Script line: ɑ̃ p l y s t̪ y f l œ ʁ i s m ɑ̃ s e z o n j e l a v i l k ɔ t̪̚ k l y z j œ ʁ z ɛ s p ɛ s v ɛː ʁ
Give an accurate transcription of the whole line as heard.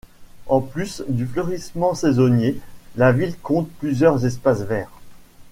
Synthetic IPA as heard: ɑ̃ p l y s d̪ y f l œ ʁ i s m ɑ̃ s e z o n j e l a v i l k ɔ̃ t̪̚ p l y z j œ ʁ z ɛ s p a s v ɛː ʁ